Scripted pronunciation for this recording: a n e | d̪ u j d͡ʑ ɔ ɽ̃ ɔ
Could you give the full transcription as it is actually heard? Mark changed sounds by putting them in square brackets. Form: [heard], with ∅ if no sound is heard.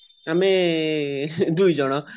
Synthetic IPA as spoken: a [m] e | d̪ u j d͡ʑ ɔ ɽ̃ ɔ